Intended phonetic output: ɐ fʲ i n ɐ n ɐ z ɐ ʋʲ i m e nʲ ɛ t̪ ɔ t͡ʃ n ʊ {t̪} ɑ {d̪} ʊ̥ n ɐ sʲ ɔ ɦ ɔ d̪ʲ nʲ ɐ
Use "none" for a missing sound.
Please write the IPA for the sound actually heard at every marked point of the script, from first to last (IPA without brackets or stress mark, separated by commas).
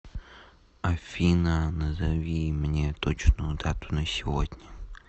d̪, t̪